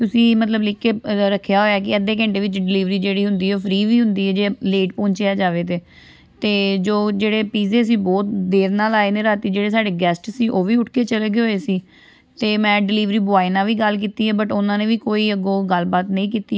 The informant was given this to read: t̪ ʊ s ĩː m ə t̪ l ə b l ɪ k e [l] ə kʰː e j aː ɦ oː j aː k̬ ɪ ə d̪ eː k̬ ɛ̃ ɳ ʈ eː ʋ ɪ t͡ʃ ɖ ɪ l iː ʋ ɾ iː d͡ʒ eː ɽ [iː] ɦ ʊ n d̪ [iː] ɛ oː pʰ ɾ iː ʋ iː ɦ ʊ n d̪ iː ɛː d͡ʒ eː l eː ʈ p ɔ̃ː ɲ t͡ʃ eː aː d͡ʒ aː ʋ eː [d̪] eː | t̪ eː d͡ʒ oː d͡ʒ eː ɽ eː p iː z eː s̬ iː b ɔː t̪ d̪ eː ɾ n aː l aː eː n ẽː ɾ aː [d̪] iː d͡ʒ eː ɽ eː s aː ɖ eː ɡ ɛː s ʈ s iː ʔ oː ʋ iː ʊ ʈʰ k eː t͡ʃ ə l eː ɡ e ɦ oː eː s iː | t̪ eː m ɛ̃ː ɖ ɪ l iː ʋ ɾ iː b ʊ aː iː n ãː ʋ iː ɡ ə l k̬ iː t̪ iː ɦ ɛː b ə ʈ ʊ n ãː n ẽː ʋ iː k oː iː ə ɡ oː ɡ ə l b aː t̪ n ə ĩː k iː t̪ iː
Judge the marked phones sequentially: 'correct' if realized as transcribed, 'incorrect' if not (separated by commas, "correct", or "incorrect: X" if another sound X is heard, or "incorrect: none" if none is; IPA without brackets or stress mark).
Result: incorrect: ɾ, correct, correct, incorrect: t̪, incorrect: t̪